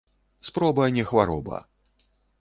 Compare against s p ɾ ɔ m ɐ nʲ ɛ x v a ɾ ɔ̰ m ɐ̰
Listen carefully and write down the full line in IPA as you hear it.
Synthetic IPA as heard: s p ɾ ɔ b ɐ nʲ ɛ x v a ɾ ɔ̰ b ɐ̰